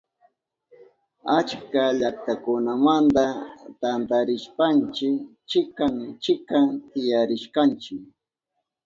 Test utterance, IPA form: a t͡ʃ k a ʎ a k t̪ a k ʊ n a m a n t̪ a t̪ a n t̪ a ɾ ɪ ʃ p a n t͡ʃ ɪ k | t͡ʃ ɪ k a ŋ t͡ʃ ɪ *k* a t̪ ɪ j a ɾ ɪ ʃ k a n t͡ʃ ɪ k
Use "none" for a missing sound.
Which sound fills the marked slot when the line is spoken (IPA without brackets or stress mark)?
k